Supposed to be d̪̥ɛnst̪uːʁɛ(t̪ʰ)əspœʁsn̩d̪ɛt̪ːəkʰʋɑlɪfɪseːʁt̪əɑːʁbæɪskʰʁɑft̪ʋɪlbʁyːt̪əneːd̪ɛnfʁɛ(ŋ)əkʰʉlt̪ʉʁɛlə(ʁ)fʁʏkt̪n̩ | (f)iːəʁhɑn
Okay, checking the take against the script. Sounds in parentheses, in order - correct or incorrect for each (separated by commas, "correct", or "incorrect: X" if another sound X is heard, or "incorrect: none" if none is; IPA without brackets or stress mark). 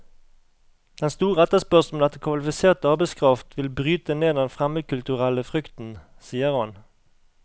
incorrect: t̪, incorrect: m, incorrect: none, incorrect: s